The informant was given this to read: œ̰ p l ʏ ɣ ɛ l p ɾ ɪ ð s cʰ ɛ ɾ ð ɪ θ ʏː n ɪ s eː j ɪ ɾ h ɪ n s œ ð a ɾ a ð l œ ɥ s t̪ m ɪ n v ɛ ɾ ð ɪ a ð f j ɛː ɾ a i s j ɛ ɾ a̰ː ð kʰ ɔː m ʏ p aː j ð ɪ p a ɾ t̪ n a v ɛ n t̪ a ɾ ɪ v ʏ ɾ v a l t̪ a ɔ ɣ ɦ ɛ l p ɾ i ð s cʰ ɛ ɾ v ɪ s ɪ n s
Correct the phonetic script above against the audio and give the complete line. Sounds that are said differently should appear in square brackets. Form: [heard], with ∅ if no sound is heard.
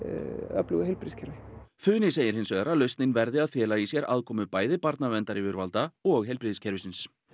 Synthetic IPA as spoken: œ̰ p l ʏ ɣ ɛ l p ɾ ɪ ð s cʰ ɛ ɾ [v] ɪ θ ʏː n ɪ s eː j ɪ ɾ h ɪ n s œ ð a ɾ a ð l œ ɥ s t̪ [n] ɪ n v ɛ ɾ ð ɪ a ð f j ɛː [l] a i s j ɛ ɾ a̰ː ð kʰ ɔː m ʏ p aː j ð ɪ p a ɾ t̪ n a v ɛ n t̪ a ɾ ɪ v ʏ ɾ v a l t̪ a ɔ ɣ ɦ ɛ l p ɾ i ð s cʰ ɛ ɾ v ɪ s ɪ n s